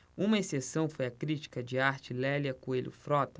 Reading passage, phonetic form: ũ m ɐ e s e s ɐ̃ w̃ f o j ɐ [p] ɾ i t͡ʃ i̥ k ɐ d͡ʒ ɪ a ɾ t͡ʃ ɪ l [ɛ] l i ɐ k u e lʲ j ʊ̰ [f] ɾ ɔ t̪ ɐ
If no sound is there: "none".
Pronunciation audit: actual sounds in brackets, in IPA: k, ɛ, f

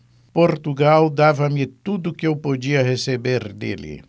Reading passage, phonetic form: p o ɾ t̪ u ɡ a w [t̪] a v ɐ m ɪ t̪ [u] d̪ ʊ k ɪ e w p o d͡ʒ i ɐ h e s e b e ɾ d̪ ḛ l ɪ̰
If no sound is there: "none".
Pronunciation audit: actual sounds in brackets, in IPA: d̪, u

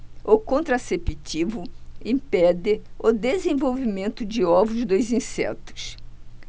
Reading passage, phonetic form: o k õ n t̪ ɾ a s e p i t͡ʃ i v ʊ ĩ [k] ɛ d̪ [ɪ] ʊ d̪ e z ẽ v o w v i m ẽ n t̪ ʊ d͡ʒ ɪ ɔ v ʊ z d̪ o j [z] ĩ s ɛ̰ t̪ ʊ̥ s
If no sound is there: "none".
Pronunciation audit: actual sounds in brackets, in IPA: p, ɪ, z

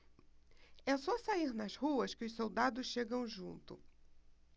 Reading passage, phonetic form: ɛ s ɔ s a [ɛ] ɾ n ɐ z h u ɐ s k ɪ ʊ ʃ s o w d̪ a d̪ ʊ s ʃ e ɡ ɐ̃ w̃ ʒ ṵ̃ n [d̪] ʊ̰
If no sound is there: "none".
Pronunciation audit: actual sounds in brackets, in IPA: i, t̪

